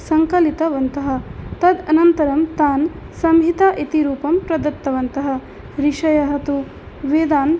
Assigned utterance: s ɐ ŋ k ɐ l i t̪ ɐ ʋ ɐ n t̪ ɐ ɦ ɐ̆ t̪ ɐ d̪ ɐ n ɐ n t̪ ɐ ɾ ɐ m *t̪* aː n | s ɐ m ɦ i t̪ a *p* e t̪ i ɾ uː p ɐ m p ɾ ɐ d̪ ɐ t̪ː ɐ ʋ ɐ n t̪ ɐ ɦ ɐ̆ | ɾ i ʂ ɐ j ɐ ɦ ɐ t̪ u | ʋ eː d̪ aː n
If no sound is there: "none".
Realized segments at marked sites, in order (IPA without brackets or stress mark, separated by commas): t̪, ʔ